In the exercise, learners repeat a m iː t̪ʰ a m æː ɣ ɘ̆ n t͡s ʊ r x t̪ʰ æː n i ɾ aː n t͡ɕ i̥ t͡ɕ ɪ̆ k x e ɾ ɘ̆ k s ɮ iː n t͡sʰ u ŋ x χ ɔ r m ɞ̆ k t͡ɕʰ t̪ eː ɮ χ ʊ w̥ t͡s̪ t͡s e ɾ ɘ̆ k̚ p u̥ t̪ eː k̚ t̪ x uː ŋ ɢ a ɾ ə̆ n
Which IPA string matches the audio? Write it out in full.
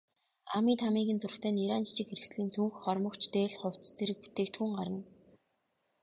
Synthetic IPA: a m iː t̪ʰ a m iː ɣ ɘ̆ n t͡s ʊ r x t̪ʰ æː n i ɾ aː n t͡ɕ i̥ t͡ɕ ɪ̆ k x e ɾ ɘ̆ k s ɮ iː n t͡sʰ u ŋ x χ ɔ r m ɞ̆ k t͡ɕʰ t̪ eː ɮ χ ʊ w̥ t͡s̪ t͡s e ɾ ɘ̆ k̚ p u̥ t̪ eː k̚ t̪ x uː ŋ ɢ a ɾ ə̆ n